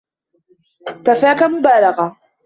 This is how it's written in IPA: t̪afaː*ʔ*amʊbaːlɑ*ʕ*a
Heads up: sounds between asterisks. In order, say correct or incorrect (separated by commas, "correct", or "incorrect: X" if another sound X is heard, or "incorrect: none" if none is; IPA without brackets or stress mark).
incorrect: k, incorrect: ɣ